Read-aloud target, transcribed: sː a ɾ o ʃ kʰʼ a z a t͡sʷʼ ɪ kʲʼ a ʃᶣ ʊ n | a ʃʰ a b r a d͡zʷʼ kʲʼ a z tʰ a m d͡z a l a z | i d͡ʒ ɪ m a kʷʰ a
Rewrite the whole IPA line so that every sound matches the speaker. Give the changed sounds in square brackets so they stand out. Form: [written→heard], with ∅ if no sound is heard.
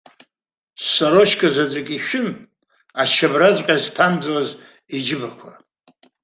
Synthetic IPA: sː a ɾ o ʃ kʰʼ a z a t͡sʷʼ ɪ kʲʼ [a→i] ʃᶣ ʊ n | a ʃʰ a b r a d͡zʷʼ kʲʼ a z tʰ a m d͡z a l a z | i d͡ʒ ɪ [m→b] a kʷʰ a

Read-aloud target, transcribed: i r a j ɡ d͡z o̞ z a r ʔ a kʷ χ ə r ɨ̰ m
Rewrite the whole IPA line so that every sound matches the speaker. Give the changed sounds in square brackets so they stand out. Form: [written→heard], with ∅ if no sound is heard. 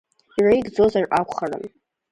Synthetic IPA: i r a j ɡ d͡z o̞ z a r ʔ a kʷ χ [ə→a] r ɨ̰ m

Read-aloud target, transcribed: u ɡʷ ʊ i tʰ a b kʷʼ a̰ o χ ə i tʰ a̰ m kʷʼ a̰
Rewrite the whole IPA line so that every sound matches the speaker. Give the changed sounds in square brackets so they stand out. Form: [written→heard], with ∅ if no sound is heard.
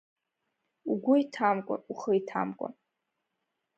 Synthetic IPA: u ɡʷ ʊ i tʰ a [b→m] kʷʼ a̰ [o→u] χ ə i tʰ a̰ m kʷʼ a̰

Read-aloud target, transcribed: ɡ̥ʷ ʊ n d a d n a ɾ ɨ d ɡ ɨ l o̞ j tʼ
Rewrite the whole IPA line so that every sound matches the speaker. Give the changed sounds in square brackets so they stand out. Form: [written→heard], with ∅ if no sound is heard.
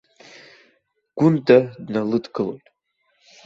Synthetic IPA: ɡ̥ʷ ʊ n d a d n a [ɾ→l] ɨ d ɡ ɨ l o̞ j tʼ

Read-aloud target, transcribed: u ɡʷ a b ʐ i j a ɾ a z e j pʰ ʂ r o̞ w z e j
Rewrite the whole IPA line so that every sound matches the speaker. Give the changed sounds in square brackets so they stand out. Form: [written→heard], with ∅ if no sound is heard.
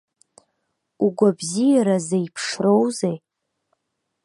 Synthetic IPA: u ɡʷ a b [ʐ→z] i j a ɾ a z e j pʰ ʂ r o̞ w z e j

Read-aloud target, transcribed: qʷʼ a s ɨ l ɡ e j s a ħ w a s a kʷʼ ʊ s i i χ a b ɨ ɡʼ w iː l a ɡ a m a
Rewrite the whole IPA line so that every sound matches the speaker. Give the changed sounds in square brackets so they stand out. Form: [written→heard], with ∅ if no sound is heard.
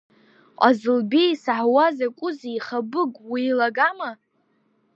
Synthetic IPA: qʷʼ a [s→z] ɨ l [ɡ→b] e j s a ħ w a [s→z] a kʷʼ ʊ [s→z] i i χ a b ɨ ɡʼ w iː l a ɡ a m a

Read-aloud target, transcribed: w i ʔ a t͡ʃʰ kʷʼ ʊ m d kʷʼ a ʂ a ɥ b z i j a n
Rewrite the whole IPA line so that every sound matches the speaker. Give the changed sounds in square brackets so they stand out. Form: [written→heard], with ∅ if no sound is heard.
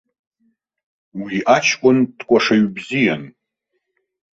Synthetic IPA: w i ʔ a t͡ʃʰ kʷʼ ʊ [m→n] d kʷʼ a ʂ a ɥ b z i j a n

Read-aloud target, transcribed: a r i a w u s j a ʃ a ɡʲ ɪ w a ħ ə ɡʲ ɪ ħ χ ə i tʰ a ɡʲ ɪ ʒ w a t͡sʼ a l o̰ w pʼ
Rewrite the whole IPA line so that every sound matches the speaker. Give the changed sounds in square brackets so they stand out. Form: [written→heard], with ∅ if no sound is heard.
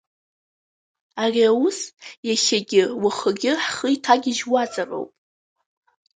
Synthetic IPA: a r i a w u s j a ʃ a ɡʲ ɪ w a [ħ→χ] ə ɡʲ ɪ ħ χ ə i tʰ a ɡʲ ɪ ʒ w a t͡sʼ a [l→r] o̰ w pʼ

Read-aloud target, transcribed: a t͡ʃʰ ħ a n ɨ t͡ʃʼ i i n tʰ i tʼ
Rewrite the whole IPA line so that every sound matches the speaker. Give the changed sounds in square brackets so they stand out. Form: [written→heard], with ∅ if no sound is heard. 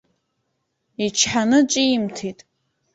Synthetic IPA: [a→i] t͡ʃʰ ħ a n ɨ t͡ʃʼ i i [n→m] tʰ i tʼ

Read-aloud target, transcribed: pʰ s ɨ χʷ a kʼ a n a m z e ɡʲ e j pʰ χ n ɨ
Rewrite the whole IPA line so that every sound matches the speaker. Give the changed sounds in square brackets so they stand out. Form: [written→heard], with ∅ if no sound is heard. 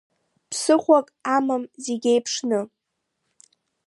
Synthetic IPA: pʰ s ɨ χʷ a kʼ a [n→m] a m z e ɡʲ e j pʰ [χ→ʂ] n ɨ

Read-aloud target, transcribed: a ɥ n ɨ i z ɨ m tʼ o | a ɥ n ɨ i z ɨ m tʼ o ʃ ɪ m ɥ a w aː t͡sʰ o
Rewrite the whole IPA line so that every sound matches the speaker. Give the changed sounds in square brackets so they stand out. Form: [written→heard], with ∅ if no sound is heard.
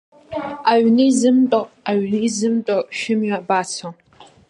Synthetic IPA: a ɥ n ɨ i z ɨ m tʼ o | a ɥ n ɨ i z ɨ m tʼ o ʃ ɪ m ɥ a [w→b] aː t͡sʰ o

